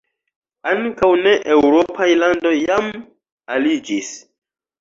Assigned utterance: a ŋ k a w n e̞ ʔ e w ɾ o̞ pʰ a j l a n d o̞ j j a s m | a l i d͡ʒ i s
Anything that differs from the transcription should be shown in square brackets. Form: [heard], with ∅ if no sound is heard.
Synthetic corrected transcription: a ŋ k a w n e̞ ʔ e w ɾ o̞ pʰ a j l a n d o̞ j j a [∅] m | a l i d͡ʒ i s